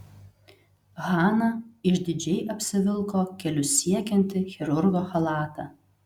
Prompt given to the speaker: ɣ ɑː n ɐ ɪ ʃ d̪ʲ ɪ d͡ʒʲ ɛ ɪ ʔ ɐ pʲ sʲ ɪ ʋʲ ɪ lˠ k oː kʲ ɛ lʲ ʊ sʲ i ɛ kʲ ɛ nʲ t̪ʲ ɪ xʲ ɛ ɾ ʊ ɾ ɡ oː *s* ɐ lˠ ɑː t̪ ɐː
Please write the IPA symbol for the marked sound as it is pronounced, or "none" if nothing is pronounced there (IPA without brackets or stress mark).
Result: x